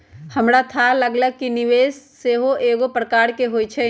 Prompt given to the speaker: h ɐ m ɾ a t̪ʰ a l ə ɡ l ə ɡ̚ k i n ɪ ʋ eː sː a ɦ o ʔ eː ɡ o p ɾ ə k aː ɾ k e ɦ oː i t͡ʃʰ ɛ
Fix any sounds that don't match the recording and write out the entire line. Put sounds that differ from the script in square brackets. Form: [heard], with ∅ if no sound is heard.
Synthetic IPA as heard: h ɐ m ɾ a t̪ʰ a l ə ɡ l ə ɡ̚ k i n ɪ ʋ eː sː [e] ɦ o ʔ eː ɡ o p ɾ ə k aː ɾ k e ɦ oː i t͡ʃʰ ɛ